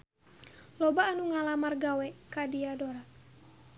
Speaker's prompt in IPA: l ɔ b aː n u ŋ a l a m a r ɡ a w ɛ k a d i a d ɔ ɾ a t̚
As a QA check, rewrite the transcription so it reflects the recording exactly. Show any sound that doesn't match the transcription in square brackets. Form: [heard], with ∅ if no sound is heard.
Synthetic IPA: l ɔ b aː n u ŋ a l a m a r ɡ a w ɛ k a d i a d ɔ ɾ a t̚

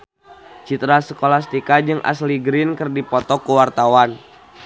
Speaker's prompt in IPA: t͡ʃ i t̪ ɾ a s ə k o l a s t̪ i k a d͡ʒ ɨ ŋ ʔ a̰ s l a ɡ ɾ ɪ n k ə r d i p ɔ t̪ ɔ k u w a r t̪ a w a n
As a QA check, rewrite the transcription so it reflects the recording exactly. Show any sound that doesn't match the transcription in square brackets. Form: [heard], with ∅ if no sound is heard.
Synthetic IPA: t͡ʃ i t̪ ɾ a s ə k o l a s t̪ i k a d͡ʒ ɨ ŋ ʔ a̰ s l [i] ɡ ɾ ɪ n k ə r d i p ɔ t̪ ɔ k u w a r t̪ a w a n

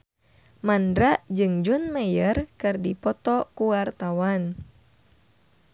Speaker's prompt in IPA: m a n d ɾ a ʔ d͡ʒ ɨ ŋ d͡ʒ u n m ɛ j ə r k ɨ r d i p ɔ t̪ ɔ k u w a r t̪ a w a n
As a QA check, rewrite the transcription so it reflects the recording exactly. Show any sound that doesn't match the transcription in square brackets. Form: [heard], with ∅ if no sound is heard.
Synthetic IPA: m a n d ɾ a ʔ d͡ʒ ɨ ŋ d͡ʒ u n m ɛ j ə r k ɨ r d i p ɔ t̪ ɔ k u w a r t̪ a w a n

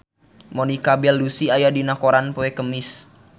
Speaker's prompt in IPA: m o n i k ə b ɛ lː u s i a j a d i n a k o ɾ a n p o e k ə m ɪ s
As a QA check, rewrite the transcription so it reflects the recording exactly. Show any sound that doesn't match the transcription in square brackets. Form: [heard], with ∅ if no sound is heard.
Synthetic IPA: m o n i k [a] b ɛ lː u s i a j a d i n a k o ɾ a n p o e k ə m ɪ s

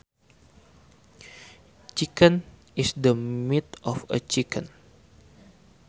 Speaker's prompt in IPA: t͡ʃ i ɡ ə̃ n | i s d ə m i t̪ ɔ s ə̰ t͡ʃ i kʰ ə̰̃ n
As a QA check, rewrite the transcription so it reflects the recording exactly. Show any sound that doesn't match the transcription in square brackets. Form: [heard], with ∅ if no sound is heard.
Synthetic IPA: t͡ʃ i [k] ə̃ n | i s d ə m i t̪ ɔ [f] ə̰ t͡ʃ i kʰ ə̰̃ n

